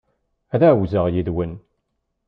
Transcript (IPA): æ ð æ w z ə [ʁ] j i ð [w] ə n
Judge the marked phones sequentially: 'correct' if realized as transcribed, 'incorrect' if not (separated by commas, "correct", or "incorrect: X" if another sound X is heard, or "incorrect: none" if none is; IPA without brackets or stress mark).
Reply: correct, correct